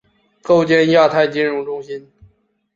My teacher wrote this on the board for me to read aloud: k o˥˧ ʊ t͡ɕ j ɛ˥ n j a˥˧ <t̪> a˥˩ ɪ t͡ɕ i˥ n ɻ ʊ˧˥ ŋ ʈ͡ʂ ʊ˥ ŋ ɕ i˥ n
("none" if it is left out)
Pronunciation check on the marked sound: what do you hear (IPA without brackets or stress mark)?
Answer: t̪ʰ